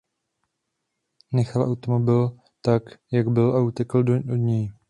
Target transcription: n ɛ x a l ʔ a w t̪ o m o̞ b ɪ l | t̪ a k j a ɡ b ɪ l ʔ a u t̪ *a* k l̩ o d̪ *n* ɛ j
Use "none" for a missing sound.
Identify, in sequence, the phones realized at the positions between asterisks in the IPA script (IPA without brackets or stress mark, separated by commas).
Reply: ɛ, ɲ